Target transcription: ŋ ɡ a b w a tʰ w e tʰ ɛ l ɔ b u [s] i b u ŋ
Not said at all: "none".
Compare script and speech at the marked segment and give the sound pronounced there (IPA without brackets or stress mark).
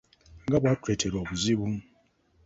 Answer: z